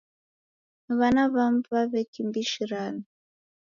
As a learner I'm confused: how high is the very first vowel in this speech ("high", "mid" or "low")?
low